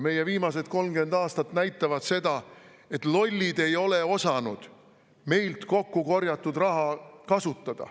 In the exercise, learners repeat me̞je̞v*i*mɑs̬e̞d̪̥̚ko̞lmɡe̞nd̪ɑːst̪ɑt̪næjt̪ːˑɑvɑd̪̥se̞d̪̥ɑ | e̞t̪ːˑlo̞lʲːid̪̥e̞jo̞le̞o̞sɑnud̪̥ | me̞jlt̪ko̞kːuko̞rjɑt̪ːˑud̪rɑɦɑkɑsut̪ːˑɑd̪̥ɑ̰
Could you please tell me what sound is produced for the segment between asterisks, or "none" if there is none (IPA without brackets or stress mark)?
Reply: iː